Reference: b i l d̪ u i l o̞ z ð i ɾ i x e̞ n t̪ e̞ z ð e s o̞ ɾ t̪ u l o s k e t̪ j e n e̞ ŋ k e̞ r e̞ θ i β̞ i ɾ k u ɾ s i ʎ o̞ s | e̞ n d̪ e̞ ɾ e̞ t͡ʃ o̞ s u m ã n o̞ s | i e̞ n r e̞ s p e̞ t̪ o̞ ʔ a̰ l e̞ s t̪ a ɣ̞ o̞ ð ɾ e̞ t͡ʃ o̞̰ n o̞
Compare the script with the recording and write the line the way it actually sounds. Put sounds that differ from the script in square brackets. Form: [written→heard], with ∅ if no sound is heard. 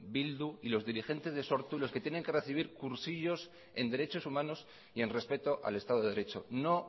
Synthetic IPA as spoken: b i l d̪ u i l o̞ z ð i ɾ i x e̞ n t̪ e̞ z ð e s o̞ ɾ t̪ u l o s k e t̪ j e n e̞ ŋ k e̞ r e̞ θ i β̞ i ɾ k u ɾ s i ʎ o̞ s | e̞ n d̪ e̞ ɾ e̞ t͡ʃ o̞ s u m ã n o̞ s | i e̞ n r e̞ s p e̞ t̪ o̞ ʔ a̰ l e̞ s t̪ a [ɣ̞→ð̞] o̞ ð ɾ e̞ t͡ʃ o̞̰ n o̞

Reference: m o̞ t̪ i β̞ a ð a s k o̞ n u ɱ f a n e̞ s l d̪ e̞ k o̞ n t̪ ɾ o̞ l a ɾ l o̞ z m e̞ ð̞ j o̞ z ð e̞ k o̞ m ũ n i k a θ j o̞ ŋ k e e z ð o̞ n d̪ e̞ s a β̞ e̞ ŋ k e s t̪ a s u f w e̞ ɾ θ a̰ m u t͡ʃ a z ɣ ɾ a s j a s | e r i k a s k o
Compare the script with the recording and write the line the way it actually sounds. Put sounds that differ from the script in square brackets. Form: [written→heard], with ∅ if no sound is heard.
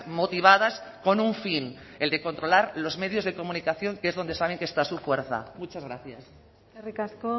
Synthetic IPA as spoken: m o̞ t̪ i β̞ a ð a s k o̞ n u ɱ f [a→i] n e̞ [s→∅] l d̪ e̞ k o̞ n t̪ ɾ o̞ l a ɾ l o̞ z m e̞ ð̞ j o̞ z ð e̞ k o̞ m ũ n i k a θ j o̞ ŋ k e e z ð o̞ n d̪ e̞ s a β̞ e̞ ŋ k e s t̪ a s u f w e̞ ɾ θ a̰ m u t͡ʃ a z ɣ ɾ a [s→θ] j a s | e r i k a s k o

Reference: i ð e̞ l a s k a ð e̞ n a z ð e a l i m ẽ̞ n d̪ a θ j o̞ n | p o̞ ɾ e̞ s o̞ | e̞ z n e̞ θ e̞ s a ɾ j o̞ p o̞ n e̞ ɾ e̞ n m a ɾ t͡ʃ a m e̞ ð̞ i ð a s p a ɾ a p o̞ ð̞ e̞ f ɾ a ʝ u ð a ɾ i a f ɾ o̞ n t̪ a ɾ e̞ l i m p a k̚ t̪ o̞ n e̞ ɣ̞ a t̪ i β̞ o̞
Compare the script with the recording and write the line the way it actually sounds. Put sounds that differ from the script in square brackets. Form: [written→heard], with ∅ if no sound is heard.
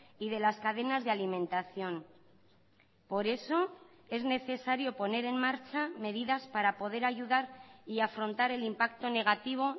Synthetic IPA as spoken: i ð e̞ l a s k a ð e̞ n a z ð e a l i m ẽ̞ n [d̪→t̪] a θ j o̞ n | p o̞ ɾ e̞ s o̞ | e̞ z n e̞ θ e̞ s a ɾ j o̞ p o̞ n e̞ ɾ e̞ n m a ɾ t͡ʃ a m e̞ ð̞ i ð a s p a ɾ a p o̞ ð̞ e̞ [f→∅] ɾ a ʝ u ð a ɾ i a f ɾ o̞ n t̪ a ɾ e̞ l i m p a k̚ t̪ o̞ n e̞ ɣ̞ a t̪ i β̞ o̞

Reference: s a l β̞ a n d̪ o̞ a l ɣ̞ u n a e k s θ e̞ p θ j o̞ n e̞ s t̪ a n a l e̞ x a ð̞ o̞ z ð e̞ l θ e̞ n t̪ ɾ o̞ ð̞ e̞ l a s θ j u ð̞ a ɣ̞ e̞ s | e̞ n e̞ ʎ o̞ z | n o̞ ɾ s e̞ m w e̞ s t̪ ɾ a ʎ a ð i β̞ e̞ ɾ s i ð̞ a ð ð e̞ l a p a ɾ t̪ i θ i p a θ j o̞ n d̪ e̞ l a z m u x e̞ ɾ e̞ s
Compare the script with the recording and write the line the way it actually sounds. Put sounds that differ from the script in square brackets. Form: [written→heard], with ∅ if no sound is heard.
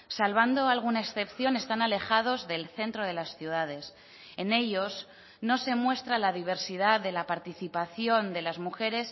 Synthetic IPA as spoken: s a l β̞ a n d̪ o̞ a l ɣ̞ u n a e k s θ e̞ p θ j o̞ n e̞ s t̪ a n a l e̞ x a ð̞ o̞ z ð e̞ l θ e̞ n t̪ ɾ o̞ ð̞ e̞ l a s θ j u ð̞ a [ɣ̞→ð̞] e̞ s | e̞ n e̞ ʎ o̞ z | n o̞ [ɾ→∅] s e̞ m w e̞ s t̪ ɾ a [ʎ→l] a ð i β̞ e̞ ɾ s i ð̞ a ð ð e̞ l a p a ɾ t̪ i θ i p a θ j o̞ n d̪ e̞ l a z m u x e̞ ɾ e̞ s

